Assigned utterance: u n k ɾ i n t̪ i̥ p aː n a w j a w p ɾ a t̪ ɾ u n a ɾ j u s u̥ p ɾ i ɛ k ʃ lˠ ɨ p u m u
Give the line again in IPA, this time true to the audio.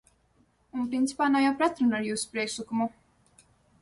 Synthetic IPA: u n p ɾ i n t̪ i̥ p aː n a w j a w p ɾ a t̪ ɾ u n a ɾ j uː s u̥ p ɾ i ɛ k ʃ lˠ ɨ k u m u

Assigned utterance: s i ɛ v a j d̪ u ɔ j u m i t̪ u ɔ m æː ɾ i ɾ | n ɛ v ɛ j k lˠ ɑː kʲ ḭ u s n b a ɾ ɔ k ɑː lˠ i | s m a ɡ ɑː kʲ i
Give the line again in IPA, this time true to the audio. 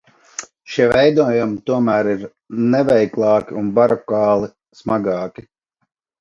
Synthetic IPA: ʃ i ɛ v ɛ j d̪ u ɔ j u m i t̪ u ɔ m æː ɾ i ɾ | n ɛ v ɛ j k lˠ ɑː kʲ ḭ u n b a ɾ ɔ k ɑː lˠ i | s m a ɡ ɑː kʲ i

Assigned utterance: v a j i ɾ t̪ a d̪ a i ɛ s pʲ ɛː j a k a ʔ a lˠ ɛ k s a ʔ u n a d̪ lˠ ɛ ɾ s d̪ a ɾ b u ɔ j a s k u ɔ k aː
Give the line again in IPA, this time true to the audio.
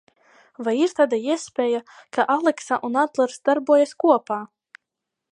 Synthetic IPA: v a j i ɾ t̪ a d̪ a i ɛ s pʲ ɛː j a k a ʔ a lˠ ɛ k s a ʔ u n a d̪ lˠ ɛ ɾ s d̪ a ɾ b u ɔ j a s k u ɔ p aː

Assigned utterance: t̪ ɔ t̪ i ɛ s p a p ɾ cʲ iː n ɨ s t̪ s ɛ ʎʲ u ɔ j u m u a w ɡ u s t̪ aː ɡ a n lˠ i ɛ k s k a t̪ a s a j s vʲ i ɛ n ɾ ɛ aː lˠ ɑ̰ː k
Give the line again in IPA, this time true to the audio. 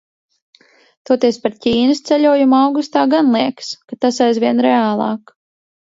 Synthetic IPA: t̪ ɔ t̪ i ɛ s p a ɾ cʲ iː n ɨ s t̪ s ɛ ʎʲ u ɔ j u m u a w ɡ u s t̪ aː ɡ a n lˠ i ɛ k s k a t̪ a s a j z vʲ i ɛ n ɾ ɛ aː lˠ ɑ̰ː k

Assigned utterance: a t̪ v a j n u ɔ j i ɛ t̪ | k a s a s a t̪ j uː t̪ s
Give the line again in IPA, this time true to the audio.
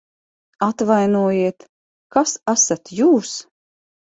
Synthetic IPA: a t̪ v a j n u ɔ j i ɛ t̪ | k a s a s a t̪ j uː s

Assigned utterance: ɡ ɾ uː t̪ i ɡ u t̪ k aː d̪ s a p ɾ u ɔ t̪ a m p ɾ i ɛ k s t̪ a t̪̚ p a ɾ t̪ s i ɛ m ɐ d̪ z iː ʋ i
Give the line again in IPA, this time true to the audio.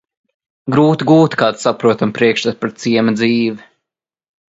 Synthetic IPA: ɡ ɾ uː t̪ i ɡ uː t̪ k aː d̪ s a p ɾ u ɔ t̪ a m p ɾ i ɛ k ʃ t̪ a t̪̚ p a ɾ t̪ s i ɛ m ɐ d̪ z iː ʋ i

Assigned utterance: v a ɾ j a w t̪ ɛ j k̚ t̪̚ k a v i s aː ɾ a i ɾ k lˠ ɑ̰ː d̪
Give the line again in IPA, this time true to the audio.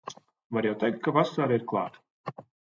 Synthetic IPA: v a ɾ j a w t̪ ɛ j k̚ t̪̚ k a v a s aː ɾ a i ɾ k lˠ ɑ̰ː t̪

